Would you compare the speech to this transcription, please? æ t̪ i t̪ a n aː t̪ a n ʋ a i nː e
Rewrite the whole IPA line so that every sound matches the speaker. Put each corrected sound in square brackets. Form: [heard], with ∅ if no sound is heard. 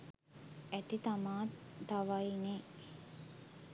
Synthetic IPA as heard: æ t̪ i t̪ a [m] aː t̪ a [∅] ʋ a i [n] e